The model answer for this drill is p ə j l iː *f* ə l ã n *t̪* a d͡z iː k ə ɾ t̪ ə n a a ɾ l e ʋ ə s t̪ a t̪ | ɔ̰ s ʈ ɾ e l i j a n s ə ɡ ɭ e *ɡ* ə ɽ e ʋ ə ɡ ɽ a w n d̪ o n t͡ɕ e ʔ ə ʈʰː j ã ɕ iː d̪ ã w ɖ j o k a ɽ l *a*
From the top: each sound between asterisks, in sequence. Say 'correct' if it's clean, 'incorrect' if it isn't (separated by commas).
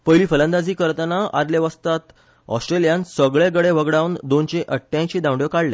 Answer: correct, incorrect, correct, incorrect